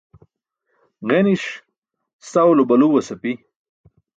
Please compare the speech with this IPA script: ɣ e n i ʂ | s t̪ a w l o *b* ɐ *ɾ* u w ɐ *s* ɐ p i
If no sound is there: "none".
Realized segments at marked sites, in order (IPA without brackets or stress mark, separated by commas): b, l, s